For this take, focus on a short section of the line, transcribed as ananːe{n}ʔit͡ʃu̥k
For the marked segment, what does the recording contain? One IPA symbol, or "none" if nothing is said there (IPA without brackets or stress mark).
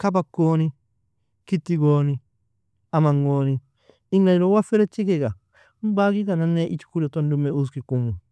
none